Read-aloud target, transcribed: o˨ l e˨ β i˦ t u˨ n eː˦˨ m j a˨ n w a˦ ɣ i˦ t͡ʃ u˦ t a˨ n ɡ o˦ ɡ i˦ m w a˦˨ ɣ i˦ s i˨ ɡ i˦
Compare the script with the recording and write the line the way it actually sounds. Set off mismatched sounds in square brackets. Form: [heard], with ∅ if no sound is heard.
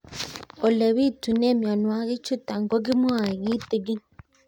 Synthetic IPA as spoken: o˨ l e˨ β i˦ t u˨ n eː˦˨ m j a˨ n w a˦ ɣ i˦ t͡ʃ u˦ t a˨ [ŋ] ɡ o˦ ɡ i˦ m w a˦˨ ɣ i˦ [t] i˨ ɡ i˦

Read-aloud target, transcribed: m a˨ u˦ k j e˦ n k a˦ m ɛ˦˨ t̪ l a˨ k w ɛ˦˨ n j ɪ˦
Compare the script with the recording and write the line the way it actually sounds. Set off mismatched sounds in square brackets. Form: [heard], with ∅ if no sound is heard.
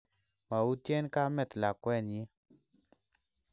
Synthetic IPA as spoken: m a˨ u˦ [t] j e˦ n k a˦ m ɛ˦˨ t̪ l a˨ k w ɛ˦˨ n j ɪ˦

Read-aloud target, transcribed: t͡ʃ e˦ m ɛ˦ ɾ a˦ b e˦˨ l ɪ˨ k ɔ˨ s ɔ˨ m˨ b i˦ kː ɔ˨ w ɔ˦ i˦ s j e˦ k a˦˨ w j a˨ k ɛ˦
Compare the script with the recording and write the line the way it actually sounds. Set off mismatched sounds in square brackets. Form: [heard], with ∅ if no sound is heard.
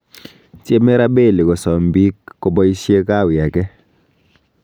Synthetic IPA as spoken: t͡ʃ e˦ m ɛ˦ ɾ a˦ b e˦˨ l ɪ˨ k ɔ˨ s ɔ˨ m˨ b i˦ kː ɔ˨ [b] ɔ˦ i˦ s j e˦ k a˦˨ w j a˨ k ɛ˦

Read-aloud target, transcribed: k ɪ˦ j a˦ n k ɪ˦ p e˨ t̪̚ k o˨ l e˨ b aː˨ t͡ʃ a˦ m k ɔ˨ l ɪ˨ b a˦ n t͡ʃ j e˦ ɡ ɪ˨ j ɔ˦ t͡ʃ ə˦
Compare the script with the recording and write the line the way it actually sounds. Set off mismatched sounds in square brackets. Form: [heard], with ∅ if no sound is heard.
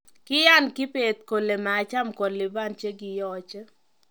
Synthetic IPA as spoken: k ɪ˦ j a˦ n k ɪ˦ p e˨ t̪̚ k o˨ l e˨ [m] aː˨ t͡ʃ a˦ m k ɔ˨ l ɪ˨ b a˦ n t͡ʃ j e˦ ɡ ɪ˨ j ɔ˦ t͡ʃ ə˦

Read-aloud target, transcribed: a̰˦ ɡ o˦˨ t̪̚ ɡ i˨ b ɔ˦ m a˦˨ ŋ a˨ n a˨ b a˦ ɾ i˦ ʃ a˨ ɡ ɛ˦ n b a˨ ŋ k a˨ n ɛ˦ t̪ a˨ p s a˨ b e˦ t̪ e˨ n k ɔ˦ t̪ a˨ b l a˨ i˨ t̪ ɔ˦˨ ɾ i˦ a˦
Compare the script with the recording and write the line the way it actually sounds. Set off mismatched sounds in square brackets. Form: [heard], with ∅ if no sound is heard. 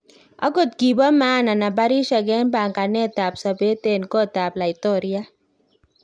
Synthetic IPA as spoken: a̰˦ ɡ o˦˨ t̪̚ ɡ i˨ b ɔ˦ m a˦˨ [n] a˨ n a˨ b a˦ ɾ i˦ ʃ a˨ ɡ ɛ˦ n b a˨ ŋ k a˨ n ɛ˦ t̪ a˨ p s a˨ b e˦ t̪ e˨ n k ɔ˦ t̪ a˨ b l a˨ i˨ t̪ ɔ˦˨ ɾ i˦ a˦

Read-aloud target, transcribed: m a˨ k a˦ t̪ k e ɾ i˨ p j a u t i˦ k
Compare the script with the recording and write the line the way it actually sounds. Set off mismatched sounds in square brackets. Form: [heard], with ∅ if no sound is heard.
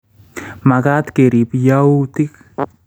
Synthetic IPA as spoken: m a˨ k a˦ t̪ k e ɾ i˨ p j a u t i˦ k

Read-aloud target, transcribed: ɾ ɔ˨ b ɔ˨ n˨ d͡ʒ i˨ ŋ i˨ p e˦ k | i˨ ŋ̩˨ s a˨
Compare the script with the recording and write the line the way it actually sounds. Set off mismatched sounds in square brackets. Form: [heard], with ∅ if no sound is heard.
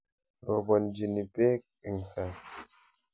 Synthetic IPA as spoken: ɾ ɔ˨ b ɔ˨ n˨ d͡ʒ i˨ [n] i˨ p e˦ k | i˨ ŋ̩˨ s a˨

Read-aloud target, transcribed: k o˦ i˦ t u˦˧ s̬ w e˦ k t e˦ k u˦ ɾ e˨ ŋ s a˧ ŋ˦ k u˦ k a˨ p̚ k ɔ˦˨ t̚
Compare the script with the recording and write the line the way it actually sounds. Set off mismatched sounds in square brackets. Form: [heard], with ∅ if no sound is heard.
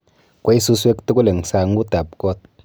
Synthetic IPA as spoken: k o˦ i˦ [s] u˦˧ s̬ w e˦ k t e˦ k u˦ [l] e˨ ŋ s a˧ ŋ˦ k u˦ [t] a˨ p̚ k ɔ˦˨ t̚

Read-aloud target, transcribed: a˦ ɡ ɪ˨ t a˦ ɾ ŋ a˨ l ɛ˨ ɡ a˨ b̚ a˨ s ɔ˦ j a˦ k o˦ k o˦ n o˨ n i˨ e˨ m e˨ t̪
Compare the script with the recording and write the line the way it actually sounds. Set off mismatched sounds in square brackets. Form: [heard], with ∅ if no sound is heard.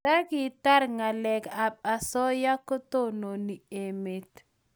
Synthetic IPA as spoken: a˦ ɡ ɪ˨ t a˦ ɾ ŋ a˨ l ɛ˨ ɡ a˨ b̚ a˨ s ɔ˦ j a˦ k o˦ [t] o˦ n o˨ n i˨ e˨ m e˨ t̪

